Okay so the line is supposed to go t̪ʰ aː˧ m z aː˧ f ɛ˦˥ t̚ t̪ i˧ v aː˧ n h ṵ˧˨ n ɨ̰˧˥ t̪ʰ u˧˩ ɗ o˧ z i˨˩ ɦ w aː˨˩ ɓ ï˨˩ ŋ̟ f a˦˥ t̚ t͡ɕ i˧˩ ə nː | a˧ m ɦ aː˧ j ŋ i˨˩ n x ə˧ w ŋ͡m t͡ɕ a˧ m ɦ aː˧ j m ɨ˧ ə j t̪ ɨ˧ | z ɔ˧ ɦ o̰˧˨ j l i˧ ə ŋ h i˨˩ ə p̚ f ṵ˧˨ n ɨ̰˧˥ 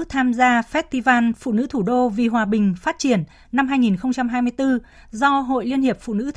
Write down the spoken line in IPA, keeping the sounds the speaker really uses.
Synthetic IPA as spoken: t̪ʰ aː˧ m z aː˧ f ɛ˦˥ t̚ t̪ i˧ v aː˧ n f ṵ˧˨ n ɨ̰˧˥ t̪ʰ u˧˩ ɗ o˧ v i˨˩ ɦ w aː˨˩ ɓ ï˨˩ ŋ̟ f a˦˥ t̚ t͡ɕ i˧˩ ə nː | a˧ m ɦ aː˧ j ŋ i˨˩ n x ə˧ w ŋ͡m t͡ɕ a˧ m ɦ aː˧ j m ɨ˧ ə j t̪ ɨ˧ | z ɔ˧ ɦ o̰˧˨ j l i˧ ə n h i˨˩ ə p̚ f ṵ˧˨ n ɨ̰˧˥